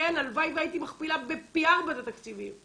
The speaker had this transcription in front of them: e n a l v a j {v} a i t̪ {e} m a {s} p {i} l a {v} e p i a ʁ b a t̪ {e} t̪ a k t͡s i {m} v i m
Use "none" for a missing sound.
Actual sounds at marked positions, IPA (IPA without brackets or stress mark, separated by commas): v, i, χ, i, b, a, none